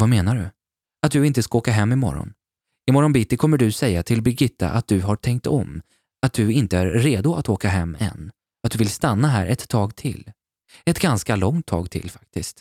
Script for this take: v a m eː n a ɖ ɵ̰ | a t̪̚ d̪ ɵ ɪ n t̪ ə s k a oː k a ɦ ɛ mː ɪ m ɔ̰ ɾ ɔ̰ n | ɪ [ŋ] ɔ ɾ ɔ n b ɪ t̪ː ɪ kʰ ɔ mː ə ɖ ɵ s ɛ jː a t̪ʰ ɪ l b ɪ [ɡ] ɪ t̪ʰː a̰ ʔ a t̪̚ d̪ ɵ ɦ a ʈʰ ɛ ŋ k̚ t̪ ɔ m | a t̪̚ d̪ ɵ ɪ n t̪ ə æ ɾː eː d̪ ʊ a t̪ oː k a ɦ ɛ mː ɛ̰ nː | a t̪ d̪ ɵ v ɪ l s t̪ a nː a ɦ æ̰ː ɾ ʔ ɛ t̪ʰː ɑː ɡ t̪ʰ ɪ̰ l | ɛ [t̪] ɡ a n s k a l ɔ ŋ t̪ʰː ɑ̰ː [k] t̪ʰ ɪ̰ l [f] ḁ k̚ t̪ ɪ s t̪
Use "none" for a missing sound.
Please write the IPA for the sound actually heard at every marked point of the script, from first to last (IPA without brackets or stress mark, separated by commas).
m, ɡ, t̪, ɡ, f